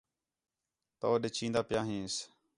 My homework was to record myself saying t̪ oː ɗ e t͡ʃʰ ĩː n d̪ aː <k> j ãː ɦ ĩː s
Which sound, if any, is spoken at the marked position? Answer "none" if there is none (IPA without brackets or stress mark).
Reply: p